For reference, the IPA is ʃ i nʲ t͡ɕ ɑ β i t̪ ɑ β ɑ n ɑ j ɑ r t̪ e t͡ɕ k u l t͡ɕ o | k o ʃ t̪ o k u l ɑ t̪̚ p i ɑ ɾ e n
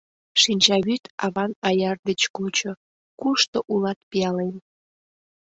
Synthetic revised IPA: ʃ i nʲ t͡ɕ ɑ β y t̪ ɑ β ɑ n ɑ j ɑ r d̪ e t͡ɕ k u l t͡ɕ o | k u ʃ t̪ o ʔ u l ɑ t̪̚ p i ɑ l e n